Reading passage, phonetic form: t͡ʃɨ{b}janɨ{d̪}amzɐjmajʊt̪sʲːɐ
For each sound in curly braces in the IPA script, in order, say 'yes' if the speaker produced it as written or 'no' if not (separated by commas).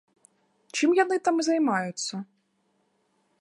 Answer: no, no